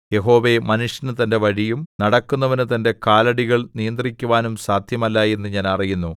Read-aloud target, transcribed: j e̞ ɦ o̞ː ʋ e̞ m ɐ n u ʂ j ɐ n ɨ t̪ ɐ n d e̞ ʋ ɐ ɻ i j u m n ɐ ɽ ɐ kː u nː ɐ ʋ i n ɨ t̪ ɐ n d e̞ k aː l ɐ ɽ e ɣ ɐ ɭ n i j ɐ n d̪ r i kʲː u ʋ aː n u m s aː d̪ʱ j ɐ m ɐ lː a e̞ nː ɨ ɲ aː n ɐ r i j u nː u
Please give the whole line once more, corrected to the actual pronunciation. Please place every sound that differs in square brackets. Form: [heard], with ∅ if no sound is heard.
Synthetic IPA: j e̞ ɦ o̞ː ʋ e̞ m ɐ n u ʂ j ɐ n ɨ t̪ ɐ n d e̞ ʋ ɐ ɻ i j u m n ɐ ɽ ɐ kː u nː ɐ ʋ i n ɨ t̪ ɐ n d e̞ k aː l ɐ ɽ [i] ɣ ɐ ɭ n i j ɐ n d̪ r i kʲː u ʋ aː n u m s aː d̪ʱ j ɐ m ɐ lː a e̞ nː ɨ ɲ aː n ɐ r i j u nː u